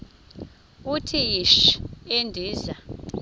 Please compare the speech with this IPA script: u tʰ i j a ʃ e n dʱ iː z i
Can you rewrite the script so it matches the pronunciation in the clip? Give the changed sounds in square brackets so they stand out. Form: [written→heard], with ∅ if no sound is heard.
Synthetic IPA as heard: u tʰ i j [a→i] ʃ e n dʱ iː z [i→a]